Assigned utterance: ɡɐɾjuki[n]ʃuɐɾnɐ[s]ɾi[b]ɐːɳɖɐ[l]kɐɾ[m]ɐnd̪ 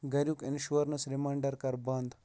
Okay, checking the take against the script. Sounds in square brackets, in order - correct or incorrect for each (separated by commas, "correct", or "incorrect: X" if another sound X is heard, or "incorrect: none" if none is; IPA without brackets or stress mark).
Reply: correct, correct, incorrect: m, incorrect: ɾ, incorrect: b